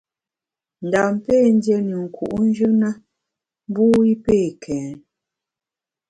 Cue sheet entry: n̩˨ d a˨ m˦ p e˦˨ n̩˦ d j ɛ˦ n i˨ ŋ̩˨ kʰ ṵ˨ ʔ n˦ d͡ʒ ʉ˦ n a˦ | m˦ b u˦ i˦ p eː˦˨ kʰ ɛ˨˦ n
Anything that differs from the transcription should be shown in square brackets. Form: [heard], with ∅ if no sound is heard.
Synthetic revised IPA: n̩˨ d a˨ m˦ p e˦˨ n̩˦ d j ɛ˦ n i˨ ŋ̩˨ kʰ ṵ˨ ʔ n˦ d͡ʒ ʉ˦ n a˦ | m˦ b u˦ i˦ p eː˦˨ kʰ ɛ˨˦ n